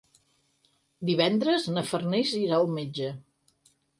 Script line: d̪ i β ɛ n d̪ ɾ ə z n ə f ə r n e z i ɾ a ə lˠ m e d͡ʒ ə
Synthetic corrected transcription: d̪ i β ɛ n d̪ ɾ ə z n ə f ə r n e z i ɾ a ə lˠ m e d͡ʒ ə